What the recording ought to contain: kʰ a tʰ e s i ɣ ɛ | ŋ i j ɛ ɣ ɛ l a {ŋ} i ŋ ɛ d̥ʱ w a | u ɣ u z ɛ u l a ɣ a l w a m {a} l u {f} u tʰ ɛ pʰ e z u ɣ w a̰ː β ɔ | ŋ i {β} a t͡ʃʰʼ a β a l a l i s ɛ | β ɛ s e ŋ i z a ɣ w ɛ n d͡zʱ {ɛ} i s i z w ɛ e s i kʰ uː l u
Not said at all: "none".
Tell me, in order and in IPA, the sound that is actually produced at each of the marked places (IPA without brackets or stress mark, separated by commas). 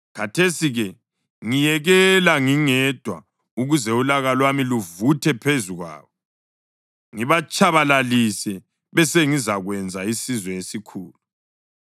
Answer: ŋ, i, v, β, a